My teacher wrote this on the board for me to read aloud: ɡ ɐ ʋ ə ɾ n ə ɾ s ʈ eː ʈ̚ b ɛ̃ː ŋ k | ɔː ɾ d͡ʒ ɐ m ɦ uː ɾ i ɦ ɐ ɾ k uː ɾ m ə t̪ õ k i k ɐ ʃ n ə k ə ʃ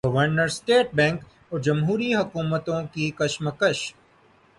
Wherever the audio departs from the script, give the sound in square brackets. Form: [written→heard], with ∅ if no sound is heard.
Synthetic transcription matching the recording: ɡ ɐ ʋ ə ɾ n ə ɾ s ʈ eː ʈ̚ b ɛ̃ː ŋ k | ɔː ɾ d͡ʒ ɐ m ɦ uː ɾ i ɦ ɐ [ɾ→∅] k uː [ɾ→∅] m ə t̪ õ k i k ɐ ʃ [n→m] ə k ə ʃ